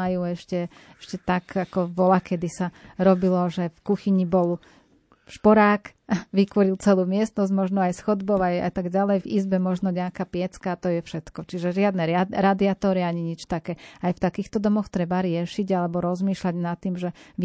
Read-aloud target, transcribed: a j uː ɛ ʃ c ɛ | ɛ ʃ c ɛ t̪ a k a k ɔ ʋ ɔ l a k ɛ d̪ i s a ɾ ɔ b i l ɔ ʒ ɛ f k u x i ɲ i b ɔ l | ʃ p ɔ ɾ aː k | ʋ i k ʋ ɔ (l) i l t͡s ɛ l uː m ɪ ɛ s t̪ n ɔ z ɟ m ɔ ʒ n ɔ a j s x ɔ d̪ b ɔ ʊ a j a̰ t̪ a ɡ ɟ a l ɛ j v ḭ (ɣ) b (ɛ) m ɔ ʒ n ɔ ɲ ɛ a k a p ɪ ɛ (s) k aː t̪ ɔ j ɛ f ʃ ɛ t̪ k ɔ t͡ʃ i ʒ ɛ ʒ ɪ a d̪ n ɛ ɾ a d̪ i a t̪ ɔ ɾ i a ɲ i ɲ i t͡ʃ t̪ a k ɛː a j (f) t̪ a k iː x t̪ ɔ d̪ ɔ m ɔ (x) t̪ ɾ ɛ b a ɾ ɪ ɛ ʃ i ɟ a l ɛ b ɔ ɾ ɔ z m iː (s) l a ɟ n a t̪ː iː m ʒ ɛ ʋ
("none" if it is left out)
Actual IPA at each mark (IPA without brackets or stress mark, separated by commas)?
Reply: ɾ, z, ɛ, t͡s, f, x, ʃ